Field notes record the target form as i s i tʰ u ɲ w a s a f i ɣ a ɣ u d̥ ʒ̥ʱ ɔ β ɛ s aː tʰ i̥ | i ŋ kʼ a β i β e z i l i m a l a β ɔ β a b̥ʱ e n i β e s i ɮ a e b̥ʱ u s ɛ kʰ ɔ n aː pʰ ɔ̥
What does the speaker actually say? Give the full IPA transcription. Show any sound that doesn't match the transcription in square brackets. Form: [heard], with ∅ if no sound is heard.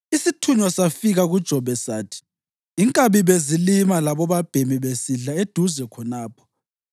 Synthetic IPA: i s i tʰ u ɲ w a s a f i ɣ a ɣ u d̥ ʒ̥ʱ ɔ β ɛ s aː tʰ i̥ | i ŋ kʼ a β i β e z i l i m a l a β ɔ β a b̥ʱ e [m] i β e s i ɮ a e [d̥ʱ] u [z] ɛ kʰ ɔ n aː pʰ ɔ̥